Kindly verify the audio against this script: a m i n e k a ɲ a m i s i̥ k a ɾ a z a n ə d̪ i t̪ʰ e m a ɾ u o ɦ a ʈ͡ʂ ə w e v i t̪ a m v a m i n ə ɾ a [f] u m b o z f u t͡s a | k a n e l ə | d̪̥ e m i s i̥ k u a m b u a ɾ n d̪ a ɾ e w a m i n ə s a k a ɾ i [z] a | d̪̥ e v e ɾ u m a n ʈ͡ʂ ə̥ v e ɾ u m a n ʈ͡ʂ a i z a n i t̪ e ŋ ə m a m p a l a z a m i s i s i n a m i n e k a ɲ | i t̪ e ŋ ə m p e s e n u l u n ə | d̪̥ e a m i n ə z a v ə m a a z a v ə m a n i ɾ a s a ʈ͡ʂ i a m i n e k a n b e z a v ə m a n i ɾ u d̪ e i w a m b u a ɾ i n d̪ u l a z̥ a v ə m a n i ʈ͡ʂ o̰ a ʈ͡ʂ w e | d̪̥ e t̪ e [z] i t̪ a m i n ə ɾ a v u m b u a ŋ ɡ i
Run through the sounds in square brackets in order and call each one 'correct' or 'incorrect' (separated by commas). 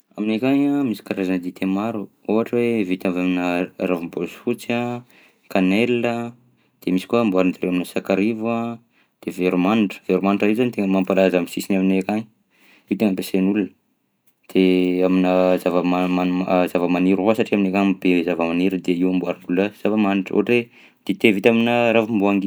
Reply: incorrect, incorrect, incorrect